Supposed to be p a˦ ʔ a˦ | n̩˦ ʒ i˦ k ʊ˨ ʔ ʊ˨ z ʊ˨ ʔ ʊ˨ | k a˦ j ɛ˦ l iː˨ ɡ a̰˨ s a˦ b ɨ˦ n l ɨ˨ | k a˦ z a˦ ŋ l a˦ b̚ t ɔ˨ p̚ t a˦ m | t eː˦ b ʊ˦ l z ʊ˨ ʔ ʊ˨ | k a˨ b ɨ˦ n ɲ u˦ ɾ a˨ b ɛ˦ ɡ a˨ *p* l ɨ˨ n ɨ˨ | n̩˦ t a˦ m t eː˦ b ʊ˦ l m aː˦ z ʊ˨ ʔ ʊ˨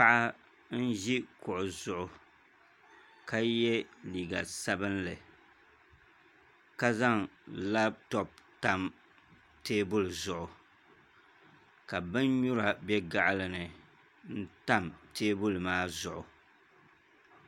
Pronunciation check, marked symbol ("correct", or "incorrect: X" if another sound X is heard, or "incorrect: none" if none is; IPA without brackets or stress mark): incorrect: ʔ